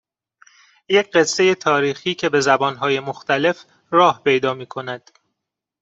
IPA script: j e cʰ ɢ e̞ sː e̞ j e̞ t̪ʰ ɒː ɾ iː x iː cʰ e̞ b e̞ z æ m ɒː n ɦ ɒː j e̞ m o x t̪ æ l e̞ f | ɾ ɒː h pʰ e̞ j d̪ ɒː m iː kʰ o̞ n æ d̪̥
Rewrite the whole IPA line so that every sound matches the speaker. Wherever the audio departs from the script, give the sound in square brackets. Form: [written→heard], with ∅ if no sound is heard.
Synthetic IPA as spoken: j e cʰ ɢ e̞ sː e̞ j e̞ t̪ʰ ɒː ɾ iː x iː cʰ e̞ b e̞ z æ [m→b] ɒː n ɦ ɒː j e̞ m o x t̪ æ l e̞ f | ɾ ɒː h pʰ e̞ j d̪ ɒː m iː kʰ o̞ n æ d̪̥